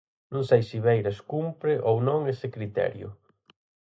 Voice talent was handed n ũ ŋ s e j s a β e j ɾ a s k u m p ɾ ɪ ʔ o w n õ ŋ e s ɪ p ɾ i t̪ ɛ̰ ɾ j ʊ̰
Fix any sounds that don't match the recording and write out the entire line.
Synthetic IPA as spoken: n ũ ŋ s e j s i β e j ɾ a s k u m p ɾ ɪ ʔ o w n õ ŋ e s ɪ k ɾ i t̪ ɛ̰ ɾ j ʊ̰